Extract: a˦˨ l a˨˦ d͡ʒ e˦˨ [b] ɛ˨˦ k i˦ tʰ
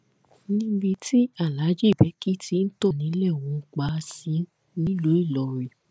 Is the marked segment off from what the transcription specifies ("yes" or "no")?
no